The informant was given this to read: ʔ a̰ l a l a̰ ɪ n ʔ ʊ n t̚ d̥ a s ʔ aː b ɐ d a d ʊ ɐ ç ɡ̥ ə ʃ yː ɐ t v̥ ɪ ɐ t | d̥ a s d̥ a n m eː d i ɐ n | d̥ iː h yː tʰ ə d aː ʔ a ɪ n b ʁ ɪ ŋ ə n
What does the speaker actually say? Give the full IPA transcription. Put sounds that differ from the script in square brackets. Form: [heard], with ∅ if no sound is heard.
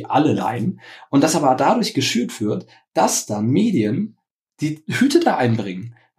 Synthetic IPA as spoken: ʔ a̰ l [ə] l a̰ ɪ n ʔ ʊ n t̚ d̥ a s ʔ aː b ɐ d a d ʊ ɐ ç ɡ̥ ə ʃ yː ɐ t v̥ ɪ ɐ t | d̥ a s d̥ a n m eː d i [ə] n | d̥ iː h yː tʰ ə d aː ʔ a ɪ n b ʁ ɪ ŋ ə n